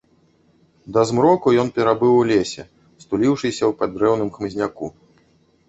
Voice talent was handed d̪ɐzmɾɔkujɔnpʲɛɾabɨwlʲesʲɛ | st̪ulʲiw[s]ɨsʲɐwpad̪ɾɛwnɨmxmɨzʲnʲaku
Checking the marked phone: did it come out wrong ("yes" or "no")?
yes